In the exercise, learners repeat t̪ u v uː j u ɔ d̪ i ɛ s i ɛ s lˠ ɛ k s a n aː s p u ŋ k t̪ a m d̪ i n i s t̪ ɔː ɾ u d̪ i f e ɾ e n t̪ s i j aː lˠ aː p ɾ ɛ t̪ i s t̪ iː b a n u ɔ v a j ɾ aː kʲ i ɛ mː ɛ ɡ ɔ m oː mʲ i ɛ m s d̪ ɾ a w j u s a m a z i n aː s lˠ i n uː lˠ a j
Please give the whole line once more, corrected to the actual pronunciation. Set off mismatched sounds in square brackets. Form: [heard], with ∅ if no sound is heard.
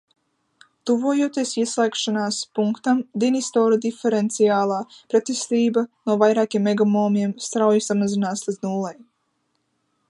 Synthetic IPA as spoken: t̪ u v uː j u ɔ [t̪] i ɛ s i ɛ s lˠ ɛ k [ʃ] a n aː s p u ŋ k t̪ a m d̪ i n i s t̪ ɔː ɾ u d̪ i f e ɾ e n t̪ s i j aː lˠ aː p ɾ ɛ t̪ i s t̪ iː b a n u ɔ v a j ɾ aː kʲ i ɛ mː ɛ ɡ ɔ m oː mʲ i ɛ m s [t̪] ɾ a w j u s a m a z i n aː s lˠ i n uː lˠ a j